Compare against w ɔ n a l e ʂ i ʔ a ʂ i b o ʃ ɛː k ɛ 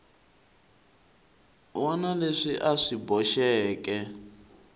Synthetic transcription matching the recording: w ɔ n a l e ʂ i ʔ a ʂ i b ɔ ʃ ɛː k ɛ